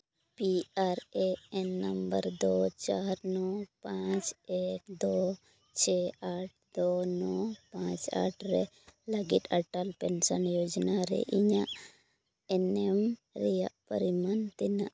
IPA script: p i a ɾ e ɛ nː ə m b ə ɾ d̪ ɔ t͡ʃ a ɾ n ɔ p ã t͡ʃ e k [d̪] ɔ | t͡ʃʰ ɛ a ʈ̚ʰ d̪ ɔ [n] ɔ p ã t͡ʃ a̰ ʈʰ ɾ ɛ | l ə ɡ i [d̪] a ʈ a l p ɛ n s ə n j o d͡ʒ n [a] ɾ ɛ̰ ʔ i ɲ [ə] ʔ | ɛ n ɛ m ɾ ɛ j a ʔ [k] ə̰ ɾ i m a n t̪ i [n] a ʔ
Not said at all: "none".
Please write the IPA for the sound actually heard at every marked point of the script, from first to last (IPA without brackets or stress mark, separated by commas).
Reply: d̪, n, t̪, a, a, p, n